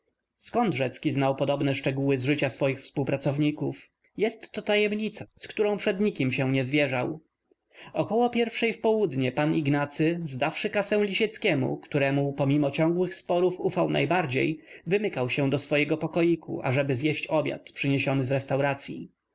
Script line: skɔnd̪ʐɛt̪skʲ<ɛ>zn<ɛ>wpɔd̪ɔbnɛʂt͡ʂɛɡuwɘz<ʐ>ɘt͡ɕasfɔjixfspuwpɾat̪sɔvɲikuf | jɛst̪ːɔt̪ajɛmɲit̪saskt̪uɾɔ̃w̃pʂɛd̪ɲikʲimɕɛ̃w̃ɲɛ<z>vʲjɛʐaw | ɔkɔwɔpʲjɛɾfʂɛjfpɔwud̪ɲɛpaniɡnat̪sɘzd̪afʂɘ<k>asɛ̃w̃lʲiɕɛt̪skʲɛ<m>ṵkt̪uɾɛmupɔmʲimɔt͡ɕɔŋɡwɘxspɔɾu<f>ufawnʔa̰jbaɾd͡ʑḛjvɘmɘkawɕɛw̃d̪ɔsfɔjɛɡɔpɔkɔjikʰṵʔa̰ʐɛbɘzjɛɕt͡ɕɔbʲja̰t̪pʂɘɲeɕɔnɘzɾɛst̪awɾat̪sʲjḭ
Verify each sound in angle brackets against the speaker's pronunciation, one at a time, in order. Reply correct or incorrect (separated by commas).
incorrect, incorrect, correct, correct, correct, correct, correct